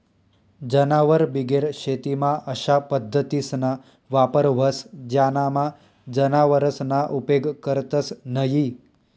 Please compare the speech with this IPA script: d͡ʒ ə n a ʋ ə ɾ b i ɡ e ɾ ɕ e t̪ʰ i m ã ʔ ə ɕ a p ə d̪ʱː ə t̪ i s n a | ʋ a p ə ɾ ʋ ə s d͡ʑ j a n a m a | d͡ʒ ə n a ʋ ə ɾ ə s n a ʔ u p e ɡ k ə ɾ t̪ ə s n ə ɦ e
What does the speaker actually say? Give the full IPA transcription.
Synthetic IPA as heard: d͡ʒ ə n a ʋ ə ɾ b i ɡ e ɾ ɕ e t̪ i m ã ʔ ə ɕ a p ə d̪ʱː ə t̪ i s n a | ʋ a p ə ɾ ʋ ə s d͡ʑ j a n a m a | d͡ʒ ə n a ʋ ə ɾ ə s n a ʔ u p e ɡ k ə ɾ t̪ ə s n ə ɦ i